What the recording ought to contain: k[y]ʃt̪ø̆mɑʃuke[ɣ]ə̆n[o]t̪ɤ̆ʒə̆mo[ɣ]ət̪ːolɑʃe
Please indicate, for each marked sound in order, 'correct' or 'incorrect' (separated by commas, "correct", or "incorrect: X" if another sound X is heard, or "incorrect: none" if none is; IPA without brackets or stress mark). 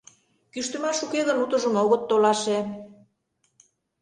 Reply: correct, correct, incorrect: u, correct